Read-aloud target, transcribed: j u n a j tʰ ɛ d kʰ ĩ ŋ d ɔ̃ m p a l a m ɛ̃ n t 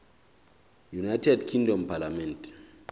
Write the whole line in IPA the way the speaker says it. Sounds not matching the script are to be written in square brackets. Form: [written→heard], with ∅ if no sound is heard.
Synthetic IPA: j u n a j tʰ ɛ d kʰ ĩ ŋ d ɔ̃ m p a l a m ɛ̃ n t

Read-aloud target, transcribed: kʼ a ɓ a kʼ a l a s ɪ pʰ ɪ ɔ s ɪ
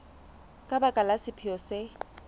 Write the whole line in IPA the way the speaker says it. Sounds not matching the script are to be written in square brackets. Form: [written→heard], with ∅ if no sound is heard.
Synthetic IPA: kʼ a [ɓ→b] a kʼ a l a s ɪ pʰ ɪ ɔ s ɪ

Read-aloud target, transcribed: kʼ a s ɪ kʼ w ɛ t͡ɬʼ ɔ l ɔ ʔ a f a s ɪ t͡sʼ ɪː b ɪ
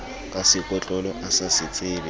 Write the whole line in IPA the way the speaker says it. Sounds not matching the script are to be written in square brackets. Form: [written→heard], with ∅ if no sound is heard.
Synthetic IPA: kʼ a s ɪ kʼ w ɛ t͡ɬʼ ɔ l ɔ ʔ a [f→s] a s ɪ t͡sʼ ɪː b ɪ

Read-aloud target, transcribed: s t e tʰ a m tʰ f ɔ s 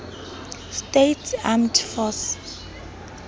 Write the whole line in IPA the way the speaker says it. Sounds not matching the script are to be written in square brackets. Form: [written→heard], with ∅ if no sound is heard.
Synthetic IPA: s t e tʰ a m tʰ f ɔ s

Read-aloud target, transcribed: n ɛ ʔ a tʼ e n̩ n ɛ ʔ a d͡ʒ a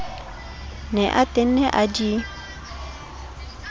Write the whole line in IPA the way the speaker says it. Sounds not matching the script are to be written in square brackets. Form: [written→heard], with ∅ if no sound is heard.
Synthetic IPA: n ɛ ʔ a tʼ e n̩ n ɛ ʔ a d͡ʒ [a→i]

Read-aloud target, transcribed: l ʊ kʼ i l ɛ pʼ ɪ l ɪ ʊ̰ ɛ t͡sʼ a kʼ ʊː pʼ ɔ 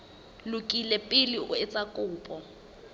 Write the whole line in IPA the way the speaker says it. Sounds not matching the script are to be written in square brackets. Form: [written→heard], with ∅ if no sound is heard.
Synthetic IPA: l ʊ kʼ i l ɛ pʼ ɪ l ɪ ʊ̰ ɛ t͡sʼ a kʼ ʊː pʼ ɔ

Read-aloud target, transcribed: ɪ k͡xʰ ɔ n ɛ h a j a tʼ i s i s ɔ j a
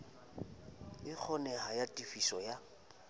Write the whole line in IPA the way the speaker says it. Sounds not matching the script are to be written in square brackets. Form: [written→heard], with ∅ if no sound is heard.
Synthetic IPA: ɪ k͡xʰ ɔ n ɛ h a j a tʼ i [s→f] i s ɔ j a

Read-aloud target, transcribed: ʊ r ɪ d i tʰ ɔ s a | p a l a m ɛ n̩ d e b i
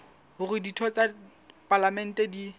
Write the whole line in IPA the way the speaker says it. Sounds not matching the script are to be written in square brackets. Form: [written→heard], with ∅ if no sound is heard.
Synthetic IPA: ʊ r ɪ d i tʰ ɔ [s→t͡s] a | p a l a m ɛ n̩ [d→t] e [b→d] i

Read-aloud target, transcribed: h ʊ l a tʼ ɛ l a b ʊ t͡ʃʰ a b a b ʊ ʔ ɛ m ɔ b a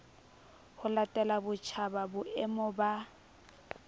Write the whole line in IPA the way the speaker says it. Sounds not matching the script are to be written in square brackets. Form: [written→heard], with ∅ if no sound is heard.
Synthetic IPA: h ʊ l a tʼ ɛ l a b ʊ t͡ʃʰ a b a b ʊ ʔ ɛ m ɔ b a

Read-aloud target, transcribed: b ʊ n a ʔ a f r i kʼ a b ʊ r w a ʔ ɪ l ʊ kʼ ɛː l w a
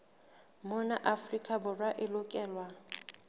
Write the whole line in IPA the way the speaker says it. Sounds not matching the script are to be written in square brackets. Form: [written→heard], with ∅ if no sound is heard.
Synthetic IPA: [b→m] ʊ n a ʔ a f r i kʼ a b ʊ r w a ʔ ɪ l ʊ kʼ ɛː l w a

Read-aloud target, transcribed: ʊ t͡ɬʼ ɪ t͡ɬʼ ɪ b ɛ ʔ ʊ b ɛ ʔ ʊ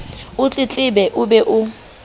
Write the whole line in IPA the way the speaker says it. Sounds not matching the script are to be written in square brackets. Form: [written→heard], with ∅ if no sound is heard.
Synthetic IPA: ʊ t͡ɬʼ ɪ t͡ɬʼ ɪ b ɛ ʔ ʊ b ɛ ʔ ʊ

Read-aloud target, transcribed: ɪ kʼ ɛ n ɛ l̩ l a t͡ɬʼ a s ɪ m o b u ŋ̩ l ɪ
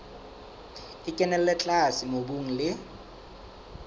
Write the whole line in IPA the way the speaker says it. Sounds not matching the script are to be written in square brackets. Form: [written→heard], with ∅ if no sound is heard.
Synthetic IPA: ɪ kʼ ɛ n ɛ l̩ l [a→ɛ] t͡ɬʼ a s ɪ m o b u ŋ̩ l ɪ

